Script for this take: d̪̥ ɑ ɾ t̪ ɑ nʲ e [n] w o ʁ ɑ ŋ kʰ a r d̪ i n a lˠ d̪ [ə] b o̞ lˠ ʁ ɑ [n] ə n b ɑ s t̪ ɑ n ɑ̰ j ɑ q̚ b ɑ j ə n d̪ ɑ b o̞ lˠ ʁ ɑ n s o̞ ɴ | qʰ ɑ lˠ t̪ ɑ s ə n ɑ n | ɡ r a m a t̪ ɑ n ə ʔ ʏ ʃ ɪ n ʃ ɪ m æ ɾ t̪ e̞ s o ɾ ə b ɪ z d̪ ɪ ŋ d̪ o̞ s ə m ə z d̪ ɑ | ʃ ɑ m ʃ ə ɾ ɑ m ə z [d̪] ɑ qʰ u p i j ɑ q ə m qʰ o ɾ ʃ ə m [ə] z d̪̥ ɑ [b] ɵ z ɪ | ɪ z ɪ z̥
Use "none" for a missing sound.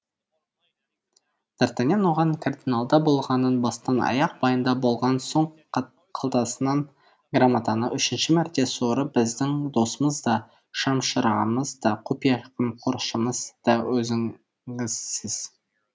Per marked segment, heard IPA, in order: n, ɑ, n, d̪, ə, w

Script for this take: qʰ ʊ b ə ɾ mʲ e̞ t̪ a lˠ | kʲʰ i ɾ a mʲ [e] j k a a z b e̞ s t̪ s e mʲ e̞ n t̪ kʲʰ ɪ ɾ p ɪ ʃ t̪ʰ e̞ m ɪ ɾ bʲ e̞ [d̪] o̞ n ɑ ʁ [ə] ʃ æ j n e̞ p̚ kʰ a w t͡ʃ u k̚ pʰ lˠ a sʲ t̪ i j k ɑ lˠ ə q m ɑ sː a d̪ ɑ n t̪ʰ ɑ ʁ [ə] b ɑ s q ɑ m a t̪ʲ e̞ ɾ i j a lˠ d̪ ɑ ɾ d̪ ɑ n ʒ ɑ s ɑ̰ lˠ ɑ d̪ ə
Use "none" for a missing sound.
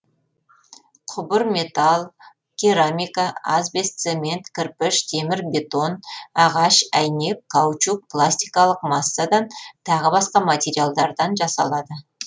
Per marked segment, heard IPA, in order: i, t̪, ɑ, ə

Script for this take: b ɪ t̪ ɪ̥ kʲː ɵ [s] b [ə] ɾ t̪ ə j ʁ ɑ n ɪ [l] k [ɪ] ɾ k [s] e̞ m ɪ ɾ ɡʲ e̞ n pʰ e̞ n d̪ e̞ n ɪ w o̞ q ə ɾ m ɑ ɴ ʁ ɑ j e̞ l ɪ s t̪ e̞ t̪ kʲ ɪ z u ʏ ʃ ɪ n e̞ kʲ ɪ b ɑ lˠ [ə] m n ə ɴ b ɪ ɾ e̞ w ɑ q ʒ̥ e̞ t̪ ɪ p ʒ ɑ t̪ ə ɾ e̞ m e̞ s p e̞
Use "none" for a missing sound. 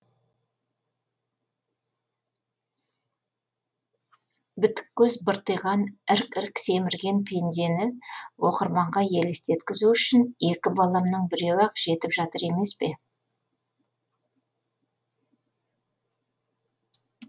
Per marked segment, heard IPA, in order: z, ə, ɾ, ɪ, s, ɑ

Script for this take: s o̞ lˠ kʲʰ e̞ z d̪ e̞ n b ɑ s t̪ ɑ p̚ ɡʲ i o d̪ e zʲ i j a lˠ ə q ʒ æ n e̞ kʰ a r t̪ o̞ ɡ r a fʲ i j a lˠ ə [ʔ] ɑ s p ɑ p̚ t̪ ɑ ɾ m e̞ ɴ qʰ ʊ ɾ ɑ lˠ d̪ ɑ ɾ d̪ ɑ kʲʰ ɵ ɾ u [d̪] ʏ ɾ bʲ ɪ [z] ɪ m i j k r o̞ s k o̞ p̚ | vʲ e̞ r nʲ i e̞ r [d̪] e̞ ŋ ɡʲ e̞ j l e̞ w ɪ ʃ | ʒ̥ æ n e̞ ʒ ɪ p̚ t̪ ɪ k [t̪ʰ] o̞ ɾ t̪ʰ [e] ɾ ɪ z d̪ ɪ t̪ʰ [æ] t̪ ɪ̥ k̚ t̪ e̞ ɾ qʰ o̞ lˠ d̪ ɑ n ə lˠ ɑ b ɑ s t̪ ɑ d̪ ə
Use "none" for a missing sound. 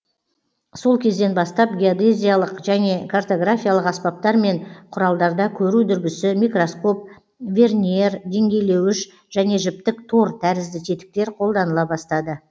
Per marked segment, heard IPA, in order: q, d̪, s, d̪, t̪ʰ, æ, e

